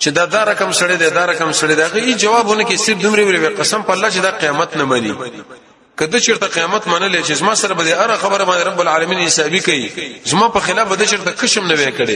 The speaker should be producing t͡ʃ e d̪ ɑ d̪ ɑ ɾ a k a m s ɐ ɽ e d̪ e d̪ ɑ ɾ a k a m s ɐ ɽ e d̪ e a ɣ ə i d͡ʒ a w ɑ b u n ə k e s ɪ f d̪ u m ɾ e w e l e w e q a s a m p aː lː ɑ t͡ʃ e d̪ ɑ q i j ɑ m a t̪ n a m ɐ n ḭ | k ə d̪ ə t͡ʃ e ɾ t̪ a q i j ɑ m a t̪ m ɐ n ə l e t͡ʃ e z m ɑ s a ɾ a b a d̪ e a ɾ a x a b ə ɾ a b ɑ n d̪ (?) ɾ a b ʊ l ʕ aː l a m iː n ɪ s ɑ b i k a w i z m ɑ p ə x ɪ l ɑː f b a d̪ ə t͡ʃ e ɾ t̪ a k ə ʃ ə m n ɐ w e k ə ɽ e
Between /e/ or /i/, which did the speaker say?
e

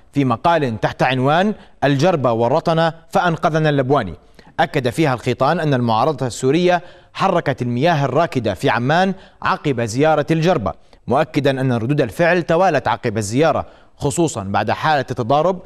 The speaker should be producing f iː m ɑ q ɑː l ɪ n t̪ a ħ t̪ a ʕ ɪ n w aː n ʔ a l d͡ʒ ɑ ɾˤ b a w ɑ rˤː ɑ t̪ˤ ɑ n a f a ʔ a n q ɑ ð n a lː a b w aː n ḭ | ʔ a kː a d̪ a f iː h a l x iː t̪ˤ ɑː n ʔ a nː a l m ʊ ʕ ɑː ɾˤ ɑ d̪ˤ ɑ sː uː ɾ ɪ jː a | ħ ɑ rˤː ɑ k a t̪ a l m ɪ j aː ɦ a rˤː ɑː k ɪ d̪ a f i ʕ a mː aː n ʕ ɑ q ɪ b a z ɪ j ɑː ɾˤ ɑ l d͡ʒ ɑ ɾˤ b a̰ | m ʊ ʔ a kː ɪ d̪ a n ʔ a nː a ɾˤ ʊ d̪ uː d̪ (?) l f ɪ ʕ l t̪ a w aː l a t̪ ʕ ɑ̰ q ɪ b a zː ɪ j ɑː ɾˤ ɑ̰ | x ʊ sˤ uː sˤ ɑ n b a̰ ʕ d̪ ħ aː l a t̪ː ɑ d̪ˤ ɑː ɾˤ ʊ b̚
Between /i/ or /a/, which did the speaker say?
a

